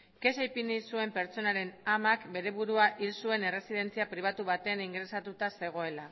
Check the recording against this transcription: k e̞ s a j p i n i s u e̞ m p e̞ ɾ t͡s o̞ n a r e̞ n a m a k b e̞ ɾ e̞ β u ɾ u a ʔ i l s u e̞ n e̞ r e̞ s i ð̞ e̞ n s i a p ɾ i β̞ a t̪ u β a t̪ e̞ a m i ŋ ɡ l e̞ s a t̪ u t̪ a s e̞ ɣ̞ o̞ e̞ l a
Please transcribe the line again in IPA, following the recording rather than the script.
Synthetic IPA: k e̞ s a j p i n i s u e̞ m p e̞ ɾ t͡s o̞ n a ɾ e̞ n a m a k b e̞ ɾ e̞ β u ɾ u a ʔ i l s u e̞ n e̞ r e̞ s i ð̞ e̞ n t͡s i a p ɾ i β̞ a t̪ u β a t̪ e̞ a n i ŋ ɡ ɾ e̞ s a t̪ u t̪ a s e̞ ɣ̞ o̞ e̞ l a

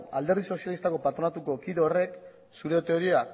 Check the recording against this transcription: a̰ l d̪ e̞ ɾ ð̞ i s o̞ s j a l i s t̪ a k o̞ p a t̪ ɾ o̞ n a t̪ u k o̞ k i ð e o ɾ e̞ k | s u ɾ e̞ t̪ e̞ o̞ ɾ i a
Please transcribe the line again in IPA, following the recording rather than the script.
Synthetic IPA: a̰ l d̪ e̞ ɾ ð̞ i s o̞ s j a l i s t̪ a k o̞ p a t̪ ɾ o̞ n a t̪ u k o̞ k i ð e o r e̞ k | s u ɾ e̞ t̪ e̞ o̞ ɾ i a

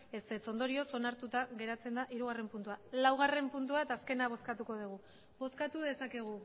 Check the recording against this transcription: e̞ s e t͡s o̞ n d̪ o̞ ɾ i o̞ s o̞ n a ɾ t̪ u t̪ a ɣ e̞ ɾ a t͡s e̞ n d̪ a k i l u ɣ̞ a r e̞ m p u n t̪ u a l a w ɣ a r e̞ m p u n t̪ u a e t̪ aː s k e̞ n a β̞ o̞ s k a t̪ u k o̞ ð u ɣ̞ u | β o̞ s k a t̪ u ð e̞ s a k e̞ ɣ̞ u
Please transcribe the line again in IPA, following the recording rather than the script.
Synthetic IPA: e̞ s e t͡s o̞ n d̪ o̞ ɾ i o̞ s o̞ n a ɾ t̪ u t̪ a ɣ e̞ ɾ a t͡s e̞ n d̪ a ʔ i ɾ u ɣ̞ a r e̞ m p u n t̪ u a l a w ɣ a r e̞ m p u n t̪ u a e t̪ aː s k e̞ n a β̞ o̞ s k a t̪ u k o̞ ð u ɣ̞ u | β o̞ s k a t̪ u ð e̞ s a k e̞ ɣ̞ u

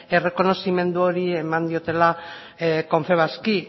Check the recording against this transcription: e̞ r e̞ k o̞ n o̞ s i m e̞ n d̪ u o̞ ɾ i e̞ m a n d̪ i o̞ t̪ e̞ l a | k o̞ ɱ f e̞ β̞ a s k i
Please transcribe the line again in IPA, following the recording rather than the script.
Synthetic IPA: e̞ r e̞ k o̞ n o̞ s i m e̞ n d̪ u o̞ ɾ i e̞ m a n d̪ i o̞ t̪ e̞ l a | k o̞ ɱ f e̞ β̞ a s k i

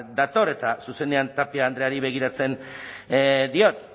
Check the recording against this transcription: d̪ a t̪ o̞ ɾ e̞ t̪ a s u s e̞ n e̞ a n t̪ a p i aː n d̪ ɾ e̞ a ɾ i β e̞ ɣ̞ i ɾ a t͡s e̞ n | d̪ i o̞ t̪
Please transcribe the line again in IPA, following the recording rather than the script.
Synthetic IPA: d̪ a t̪ o̞ ɾ e̞ t̪ a s u s e̞ n e̞ a n t̪ a p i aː n d̪ ɾ e̞ a ɾ i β e̞ ɣ̞ i ɾ a t͡s e̞ n | d̪ i o̞ t̪

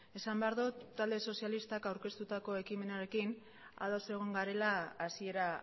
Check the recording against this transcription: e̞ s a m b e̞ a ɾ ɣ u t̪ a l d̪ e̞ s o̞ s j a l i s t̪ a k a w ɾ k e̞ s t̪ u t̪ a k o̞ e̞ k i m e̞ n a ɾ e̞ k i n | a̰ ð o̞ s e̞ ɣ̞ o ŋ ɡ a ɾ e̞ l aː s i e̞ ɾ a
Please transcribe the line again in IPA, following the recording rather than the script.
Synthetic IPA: e̞ s a m b e̞ a ɾ ð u t̪ a l d̪ e̞ s o̞ s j a l i s t̪ a k a w ɾ k e̞ s t̪ u t̪ a k o̞ e̞ k i m e̞ n a ɾ e̞ k i n | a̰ ð o̞ s e̞ ɣ̞ o ŋ ɡ a ɾ e̞ l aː s i e̞ ɾ a

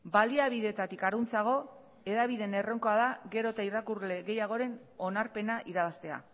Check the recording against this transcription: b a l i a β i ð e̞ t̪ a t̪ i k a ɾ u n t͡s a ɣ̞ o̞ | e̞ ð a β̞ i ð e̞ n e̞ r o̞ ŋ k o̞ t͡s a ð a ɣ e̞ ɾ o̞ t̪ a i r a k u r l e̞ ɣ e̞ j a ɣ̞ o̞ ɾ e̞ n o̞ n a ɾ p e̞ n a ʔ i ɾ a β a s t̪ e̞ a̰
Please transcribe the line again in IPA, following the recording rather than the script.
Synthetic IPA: b a l i a β i ð e̞ t̪ a t̪ i k a ɾ u n t͡s a ɣ̞ o̞ | e̞ ð a β̞ i ð e̞ n e̞ r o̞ ŋ k o̞ a ð a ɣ e̞ ɾ o̞ t̪ a i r a k u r l e̞ ɣ e̞ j a ɣ̞ o̞ ɾ e̞ n o̞ n a ɾ p e̞ n a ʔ i ɾ a β a s t̪ e̞ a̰

